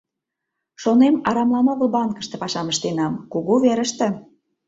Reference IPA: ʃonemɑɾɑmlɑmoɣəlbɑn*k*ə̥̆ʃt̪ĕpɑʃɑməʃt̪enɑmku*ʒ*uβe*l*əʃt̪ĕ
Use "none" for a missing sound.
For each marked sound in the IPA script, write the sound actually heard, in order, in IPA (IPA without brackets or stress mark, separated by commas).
k, ɣ, ɾ